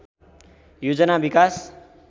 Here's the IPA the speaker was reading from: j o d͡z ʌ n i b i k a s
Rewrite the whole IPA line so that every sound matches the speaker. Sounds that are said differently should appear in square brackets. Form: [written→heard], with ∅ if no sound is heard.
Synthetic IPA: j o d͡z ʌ n [i→a] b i k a s